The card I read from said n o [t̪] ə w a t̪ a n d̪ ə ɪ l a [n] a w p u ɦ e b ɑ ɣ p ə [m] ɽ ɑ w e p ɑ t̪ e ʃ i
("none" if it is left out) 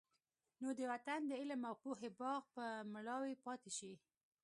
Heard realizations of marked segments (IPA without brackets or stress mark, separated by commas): d̪, m, m